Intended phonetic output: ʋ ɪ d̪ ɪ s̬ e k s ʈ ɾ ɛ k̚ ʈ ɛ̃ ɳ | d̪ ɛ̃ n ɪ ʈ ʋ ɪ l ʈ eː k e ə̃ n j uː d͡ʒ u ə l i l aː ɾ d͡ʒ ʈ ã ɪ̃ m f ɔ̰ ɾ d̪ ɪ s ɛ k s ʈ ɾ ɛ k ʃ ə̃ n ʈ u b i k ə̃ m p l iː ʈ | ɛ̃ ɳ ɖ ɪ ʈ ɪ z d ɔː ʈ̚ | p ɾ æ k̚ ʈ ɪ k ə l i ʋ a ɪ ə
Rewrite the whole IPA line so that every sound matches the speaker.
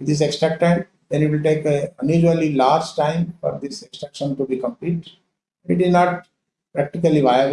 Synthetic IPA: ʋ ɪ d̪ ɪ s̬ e k s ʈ ɾ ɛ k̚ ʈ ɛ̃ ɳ | d̪ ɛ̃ n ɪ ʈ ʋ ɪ l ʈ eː k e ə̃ n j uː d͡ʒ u ə l i l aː ɾ d͡ʒ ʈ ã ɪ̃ m f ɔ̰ ɾ d̪ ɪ s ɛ k s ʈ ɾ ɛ k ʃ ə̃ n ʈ u b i k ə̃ m p l iː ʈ | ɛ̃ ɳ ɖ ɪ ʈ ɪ z n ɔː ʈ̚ | p ɾ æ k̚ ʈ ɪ k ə l i ʋ a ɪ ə